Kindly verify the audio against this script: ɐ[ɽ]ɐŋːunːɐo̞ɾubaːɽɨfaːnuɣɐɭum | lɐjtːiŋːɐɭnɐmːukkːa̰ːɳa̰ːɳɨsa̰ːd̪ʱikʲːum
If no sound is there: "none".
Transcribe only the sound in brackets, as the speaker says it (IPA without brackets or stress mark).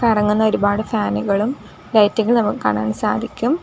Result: r